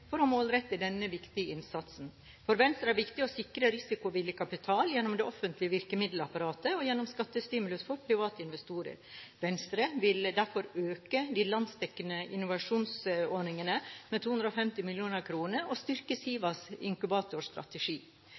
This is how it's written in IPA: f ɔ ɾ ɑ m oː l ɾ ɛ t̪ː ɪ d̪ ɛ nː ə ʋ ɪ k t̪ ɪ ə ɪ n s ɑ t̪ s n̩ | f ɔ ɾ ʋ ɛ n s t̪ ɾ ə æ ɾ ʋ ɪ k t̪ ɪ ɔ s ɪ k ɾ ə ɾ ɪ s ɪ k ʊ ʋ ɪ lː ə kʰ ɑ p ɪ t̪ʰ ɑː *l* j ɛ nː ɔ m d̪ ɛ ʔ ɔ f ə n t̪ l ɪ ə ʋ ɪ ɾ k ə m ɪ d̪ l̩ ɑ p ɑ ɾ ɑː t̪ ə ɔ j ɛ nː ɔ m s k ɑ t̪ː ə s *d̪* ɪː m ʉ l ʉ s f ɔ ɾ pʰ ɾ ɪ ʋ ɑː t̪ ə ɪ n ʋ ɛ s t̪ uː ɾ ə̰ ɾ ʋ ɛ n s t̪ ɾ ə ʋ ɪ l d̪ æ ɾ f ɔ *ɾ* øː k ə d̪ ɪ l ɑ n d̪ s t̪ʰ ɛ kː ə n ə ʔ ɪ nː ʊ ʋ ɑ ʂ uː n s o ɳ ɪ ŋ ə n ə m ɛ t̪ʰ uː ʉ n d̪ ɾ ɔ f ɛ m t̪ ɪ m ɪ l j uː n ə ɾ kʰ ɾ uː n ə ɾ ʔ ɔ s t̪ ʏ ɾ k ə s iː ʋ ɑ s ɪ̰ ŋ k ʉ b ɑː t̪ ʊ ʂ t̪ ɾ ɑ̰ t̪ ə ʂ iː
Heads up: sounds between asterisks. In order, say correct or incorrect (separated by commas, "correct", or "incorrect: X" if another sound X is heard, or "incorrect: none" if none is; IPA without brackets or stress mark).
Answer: correct, incorrect: t̪, correct